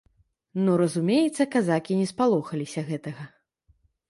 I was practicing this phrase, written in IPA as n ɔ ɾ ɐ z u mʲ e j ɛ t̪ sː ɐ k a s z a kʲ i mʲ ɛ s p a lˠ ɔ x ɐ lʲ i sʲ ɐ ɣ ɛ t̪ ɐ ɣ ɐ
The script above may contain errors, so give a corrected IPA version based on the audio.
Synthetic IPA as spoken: n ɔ ɾ ɐ z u mʲ e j ɛ t̪ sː ɐ k a z a kʲ i nʲ ɛ s p a lˠ ɔ x ɐ lʲ i sʲ ɐ ɣ ɛ t̪ ɐ ɣ ɐ